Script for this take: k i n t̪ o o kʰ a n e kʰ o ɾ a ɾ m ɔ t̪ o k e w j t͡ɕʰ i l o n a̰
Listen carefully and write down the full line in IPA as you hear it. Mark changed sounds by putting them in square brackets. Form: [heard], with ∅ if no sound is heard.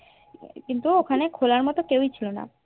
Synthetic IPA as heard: k i n t̪ [u] o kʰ a n e kʰ o [l] a ɾ m ɔ t̪ o k e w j t͡ɕʰ i l o n a̰